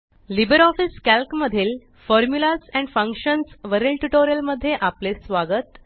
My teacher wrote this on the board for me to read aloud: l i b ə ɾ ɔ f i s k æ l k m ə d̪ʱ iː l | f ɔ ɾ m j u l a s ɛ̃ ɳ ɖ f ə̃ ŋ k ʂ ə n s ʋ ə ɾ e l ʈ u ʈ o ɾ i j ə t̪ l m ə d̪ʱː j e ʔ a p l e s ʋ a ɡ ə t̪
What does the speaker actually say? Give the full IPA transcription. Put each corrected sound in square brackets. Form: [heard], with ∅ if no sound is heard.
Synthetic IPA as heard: l i b ə ɾ ɔ f i s k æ l k m ə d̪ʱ iː l | f ɔ ɾ m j u l a s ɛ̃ ɳ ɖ f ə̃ ŋ k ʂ ə n s ʋ ə ɾ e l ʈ u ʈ o ɾ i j ə [∅] l m ə d̪ʱː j e ʔ a p l e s ʋ a ɡ ə t̪